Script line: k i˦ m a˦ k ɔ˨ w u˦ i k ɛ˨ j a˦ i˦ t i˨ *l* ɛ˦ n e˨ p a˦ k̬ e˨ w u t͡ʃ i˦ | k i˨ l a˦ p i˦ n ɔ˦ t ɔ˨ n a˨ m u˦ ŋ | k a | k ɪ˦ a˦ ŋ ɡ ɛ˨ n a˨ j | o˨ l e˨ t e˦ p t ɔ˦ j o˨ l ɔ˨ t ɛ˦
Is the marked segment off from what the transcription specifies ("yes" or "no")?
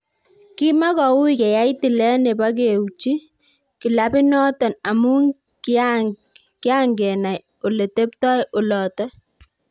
no